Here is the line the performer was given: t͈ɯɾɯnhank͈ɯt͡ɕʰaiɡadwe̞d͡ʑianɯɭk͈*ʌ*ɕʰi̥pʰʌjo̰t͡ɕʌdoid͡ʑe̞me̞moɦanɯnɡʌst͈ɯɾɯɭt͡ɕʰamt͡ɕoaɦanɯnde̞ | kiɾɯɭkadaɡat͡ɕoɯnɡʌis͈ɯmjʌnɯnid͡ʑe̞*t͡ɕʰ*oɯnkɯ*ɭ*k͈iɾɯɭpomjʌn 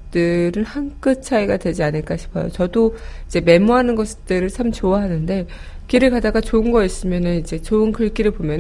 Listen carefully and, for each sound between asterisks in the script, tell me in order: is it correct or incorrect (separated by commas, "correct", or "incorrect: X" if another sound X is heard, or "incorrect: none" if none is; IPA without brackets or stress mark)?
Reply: incorrect: a, incorrect: t͡ɕ, correct